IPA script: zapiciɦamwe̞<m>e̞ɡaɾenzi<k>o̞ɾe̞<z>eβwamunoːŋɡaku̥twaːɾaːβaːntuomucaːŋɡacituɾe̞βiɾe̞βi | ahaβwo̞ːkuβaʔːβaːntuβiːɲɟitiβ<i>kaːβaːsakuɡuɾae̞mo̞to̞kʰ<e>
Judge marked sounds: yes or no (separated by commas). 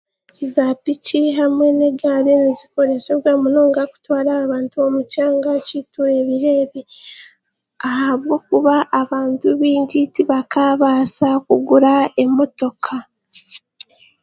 no, yes, no, no, no